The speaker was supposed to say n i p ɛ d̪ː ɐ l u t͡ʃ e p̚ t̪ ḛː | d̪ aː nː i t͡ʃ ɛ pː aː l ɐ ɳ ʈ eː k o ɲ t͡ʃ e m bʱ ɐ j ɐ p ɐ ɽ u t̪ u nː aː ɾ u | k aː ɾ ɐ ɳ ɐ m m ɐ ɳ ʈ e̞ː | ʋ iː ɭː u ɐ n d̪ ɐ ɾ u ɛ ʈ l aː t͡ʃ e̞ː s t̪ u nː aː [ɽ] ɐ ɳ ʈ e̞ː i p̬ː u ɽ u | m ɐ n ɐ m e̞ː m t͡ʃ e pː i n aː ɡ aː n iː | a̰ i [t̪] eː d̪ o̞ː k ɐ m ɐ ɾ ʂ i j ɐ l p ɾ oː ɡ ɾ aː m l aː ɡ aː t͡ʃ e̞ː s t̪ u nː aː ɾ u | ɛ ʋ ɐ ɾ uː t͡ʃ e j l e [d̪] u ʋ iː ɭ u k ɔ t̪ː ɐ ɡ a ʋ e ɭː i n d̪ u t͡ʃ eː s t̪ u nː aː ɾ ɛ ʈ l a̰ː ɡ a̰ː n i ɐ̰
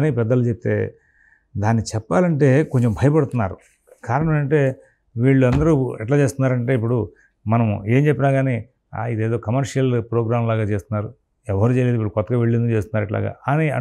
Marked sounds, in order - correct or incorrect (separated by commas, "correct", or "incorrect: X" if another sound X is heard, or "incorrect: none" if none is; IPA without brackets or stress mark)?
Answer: incorrect: ɾ, incorrect: d̪, correct